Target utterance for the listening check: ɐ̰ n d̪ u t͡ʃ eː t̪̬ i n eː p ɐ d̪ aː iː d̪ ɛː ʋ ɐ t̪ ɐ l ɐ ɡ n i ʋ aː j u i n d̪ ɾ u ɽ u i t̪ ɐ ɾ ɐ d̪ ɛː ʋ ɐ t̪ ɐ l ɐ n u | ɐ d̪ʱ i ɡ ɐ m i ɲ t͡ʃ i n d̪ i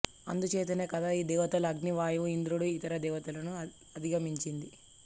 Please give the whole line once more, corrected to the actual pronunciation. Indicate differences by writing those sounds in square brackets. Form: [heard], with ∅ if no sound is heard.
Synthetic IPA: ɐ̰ n d̪ u t͡ʃ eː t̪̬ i n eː [k] ɐ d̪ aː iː d̪ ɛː ʋ ɐ t̪ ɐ l ɐ ɡ n i ʋ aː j u i n d̪ ɾ u ɽ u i t̪ ɐ ɾ ɐ d̪ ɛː ʋ ɐ t̪ ɐ l ɐ n u | ɐ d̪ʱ i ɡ ɐ m i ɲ t͡ʃ i n d̪ i